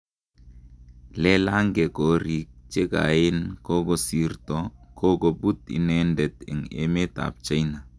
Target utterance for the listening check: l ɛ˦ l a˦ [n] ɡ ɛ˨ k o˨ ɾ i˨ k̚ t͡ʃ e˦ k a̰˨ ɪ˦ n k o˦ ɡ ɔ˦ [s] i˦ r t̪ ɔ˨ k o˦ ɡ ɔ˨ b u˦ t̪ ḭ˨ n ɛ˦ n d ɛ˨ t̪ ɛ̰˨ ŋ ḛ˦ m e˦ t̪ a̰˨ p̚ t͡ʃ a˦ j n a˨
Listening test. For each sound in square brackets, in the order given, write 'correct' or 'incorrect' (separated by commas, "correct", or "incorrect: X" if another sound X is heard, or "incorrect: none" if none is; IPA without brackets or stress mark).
incorrect: ŋ, correct